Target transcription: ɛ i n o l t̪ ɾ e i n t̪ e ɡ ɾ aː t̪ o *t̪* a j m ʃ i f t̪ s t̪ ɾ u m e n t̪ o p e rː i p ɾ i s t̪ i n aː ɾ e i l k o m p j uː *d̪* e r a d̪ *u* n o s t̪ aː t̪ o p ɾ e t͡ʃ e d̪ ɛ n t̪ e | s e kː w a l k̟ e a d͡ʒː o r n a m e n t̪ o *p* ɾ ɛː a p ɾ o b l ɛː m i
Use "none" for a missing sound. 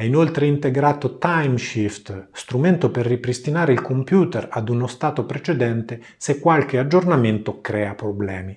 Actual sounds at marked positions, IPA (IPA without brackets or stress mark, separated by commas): t̪, t̪, u, k